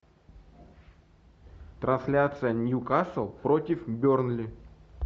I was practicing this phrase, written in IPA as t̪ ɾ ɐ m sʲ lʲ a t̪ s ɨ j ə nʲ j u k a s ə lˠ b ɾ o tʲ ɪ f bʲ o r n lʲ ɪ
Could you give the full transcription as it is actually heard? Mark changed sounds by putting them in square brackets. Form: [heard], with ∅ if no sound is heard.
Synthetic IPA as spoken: t̪ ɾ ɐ [n] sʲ lʲ a t̪ s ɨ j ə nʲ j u k a s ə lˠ [p] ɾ o tʲ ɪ f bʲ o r n lʲ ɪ